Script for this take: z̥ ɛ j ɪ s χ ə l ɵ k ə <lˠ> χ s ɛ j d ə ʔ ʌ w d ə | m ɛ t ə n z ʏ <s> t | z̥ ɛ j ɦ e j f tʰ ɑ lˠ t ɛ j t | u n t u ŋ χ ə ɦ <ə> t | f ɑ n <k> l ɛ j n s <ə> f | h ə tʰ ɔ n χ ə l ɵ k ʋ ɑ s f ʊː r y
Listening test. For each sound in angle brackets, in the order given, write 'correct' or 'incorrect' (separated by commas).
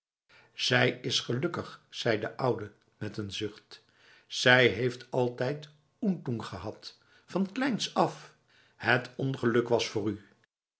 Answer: incorrect, incorrect, incorrect, correct, incorrect